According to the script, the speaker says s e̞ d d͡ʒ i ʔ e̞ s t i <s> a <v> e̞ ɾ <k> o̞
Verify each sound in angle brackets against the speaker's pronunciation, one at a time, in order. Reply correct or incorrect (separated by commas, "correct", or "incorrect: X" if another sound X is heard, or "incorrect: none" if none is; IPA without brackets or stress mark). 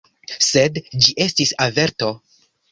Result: correct, correct, incorrect: t